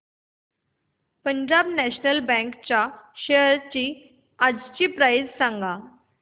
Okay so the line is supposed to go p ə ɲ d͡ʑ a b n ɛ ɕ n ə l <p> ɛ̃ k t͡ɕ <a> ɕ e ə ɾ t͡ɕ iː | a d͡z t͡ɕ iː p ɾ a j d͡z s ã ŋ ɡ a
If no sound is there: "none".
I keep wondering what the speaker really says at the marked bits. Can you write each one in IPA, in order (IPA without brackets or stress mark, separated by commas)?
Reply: b, a